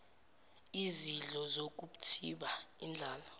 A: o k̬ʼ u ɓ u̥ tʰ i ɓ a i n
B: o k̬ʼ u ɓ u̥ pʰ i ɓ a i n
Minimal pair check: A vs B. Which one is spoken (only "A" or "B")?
A